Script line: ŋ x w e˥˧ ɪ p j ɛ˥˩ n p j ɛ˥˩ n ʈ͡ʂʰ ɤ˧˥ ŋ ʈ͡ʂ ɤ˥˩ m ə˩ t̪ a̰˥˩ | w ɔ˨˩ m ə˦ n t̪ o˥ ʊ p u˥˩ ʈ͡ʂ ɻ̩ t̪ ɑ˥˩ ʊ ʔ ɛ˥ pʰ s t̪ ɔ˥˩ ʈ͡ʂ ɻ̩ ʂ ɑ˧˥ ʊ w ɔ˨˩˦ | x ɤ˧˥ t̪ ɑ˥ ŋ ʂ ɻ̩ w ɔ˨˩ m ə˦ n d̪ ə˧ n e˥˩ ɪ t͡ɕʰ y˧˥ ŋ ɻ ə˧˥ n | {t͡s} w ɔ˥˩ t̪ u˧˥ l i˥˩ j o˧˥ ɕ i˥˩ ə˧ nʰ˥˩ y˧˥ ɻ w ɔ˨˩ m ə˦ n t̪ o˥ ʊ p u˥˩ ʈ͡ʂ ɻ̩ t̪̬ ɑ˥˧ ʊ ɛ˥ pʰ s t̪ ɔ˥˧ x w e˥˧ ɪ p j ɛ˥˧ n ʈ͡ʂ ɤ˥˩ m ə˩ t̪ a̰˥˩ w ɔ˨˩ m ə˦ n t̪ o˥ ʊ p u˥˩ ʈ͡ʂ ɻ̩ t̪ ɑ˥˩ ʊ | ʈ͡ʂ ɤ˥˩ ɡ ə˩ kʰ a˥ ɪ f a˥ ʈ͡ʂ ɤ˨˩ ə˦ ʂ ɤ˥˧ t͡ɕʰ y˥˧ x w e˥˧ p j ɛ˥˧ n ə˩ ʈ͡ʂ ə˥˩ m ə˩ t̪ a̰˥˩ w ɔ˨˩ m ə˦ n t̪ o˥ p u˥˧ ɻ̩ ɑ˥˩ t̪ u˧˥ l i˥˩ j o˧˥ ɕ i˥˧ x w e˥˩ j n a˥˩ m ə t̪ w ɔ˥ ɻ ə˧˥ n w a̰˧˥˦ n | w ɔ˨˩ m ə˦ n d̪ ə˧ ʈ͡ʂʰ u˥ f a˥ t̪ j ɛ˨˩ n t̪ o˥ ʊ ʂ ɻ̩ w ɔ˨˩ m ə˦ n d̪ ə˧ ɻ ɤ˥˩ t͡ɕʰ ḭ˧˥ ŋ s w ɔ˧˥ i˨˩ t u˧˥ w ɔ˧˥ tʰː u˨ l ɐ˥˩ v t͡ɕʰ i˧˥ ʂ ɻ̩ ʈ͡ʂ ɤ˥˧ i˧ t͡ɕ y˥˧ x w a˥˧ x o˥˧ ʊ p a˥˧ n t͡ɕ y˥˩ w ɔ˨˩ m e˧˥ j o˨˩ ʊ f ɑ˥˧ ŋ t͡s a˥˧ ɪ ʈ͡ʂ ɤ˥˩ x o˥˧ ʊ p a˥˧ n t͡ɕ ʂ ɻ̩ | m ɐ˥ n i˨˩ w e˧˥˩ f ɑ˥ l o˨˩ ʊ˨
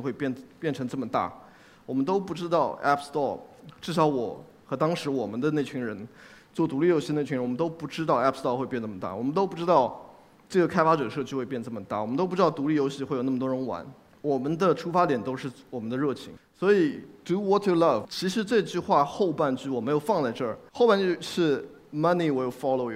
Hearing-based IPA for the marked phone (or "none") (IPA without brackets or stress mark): t͡s